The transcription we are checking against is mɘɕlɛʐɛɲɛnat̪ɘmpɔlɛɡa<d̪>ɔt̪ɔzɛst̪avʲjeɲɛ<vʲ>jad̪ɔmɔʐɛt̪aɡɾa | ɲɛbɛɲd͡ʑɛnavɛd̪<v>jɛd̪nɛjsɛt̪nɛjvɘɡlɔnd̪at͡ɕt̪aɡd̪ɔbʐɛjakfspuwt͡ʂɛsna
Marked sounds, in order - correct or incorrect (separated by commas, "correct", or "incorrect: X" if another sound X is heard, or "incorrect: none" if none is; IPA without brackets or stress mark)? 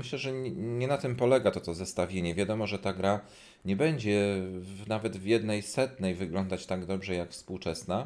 incorrect: t̪, correct, correct